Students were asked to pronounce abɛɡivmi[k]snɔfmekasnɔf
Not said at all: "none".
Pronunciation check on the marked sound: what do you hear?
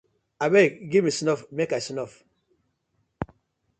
none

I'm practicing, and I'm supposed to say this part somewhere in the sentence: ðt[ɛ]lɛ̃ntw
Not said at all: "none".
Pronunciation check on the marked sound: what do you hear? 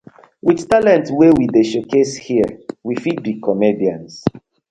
a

